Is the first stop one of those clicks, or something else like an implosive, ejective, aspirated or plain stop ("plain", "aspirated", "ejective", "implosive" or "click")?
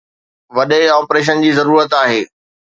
implosive